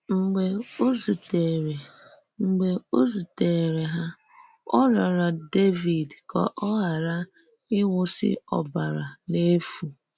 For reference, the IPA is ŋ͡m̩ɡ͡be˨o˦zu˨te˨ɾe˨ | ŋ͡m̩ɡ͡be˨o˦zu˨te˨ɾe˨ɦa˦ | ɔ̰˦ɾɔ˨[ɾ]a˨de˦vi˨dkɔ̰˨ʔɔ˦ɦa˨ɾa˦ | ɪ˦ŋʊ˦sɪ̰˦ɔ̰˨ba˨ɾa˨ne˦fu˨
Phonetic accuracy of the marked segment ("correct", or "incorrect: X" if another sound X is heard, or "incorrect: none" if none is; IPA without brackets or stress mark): correct